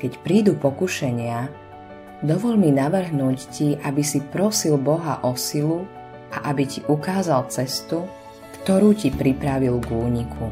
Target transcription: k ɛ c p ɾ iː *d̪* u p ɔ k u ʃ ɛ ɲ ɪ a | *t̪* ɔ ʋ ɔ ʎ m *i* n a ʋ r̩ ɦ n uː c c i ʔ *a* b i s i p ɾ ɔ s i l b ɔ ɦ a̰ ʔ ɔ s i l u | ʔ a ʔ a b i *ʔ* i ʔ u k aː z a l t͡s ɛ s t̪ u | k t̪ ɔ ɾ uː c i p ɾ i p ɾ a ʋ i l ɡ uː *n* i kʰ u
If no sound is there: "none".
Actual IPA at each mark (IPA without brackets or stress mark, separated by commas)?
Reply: d̪, d̪, i, a, c, ɲ